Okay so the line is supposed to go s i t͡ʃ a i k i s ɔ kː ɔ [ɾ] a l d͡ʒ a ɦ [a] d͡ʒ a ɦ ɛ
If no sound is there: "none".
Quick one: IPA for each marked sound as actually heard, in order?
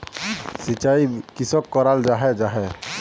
ɾ, ɛ

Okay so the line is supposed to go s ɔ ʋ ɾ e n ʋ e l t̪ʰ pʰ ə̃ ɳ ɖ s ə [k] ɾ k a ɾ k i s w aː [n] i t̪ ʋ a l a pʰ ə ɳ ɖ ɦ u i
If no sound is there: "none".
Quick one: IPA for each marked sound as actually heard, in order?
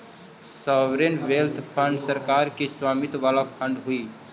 none, m

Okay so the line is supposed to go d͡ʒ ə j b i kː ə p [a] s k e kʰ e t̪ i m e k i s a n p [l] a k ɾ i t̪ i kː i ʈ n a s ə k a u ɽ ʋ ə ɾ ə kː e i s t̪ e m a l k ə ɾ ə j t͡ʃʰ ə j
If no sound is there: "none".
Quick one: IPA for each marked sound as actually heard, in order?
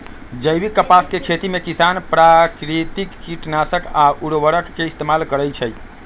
a, ɾ

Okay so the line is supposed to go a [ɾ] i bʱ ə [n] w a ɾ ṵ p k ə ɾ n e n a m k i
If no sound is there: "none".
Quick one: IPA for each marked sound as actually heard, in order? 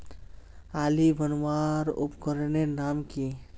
l, n

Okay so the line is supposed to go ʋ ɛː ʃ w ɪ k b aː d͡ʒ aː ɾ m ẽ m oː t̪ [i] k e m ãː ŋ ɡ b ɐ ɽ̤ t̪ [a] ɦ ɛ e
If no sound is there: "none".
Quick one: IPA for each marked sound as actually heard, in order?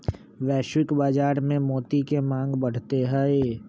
i, e

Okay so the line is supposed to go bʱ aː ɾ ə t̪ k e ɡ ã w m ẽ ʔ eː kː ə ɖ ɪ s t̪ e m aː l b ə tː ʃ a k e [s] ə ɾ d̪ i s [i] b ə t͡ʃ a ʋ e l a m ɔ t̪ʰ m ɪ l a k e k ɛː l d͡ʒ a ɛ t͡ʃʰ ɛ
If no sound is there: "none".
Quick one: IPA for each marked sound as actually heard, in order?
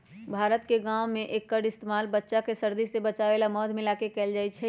s, e

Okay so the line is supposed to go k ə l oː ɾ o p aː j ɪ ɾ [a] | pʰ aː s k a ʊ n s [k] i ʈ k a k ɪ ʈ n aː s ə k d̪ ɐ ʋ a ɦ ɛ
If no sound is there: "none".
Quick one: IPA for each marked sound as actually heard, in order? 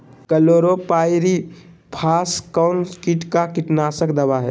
i, k

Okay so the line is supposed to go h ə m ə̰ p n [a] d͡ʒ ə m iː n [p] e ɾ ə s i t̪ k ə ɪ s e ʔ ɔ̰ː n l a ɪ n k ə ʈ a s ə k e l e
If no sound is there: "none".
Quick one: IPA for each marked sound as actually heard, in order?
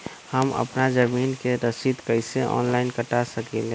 a, k

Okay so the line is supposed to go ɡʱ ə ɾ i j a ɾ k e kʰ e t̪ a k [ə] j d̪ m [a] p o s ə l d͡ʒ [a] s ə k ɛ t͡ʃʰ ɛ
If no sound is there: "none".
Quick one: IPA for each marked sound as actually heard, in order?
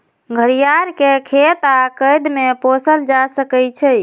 ə, e, a

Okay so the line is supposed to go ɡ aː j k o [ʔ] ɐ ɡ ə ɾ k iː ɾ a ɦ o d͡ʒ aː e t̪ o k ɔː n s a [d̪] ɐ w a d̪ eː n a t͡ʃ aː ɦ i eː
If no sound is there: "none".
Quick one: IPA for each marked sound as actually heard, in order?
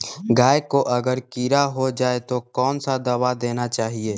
ʔ, d̪

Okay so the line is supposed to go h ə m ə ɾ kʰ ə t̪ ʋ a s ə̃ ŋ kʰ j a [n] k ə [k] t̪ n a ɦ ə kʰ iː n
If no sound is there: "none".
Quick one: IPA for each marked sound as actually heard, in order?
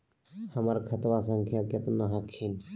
none, none

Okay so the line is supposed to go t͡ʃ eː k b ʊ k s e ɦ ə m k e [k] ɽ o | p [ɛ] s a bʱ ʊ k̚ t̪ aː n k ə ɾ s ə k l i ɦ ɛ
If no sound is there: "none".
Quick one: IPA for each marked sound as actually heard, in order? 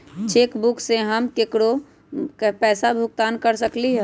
k, ɛː

